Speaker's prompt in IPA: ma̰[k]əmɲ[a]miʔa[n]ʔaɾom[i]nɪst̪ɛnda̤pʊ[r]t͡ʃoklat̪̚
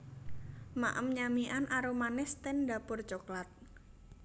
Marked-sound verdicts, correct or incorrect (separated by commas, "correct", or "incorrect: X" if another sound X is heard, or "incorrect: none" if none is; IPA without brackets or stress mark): incorrect: ʔ, correct, correct, incorrect: a, correct